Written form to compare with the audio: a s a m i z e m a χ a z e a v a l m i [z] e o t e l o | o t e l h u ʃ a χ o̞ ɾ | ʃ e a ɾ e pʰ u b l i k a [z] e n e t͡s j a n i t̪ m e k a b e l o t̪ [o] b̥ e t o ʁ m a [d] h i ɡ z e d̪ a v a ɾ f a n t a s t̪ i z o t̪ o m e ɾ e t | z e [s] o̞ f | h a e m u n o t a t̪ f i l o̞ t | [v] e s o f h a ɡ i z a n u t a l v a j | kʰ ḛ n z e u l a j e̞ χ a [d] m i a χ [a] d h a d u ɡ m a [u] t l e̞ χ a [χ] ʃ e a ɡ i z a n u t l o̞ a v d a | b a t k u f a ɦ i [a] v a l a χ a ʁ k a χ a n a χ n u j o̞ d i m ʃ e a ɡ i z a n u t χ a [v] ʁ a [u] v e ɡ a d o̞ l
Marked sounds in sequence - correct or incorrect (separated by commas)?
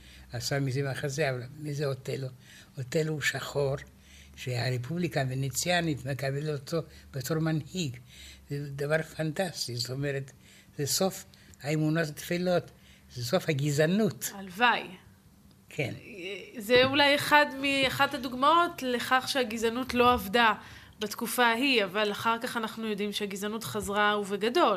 correct, incorrect, correct, incorrect, correct, incorrect, correct, correct, incorrect, correct, correct, incorrect, correct